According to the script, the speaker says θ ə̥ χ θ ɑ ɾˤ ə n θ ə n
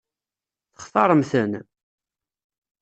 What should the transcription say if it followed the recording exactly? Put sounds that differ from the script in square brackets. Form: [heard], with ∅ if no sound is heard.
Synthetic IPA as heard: θ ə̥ χ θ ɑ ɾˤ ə [m] θ ə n